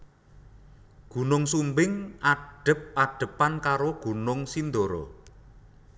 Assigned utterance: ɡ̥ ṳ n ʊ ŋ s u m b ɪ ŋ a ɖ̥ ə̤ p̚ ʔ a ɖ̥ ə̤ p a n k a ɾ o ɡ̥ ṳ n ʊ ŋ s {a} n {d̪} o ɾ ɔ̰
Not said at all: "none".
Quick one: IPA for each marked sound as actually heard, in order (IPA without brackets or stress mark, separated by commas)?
i, d̪